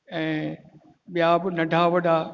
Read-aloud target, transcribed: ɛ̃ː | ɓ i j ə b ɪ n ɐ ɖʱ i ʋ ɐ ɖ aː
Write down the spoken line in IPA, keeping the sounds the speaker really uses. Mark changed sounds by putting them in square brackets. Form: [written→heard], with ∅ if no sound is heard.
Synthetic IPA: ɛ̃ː | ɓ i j [ə→a] b ɪ n ɐ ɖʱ [i→a] ʋ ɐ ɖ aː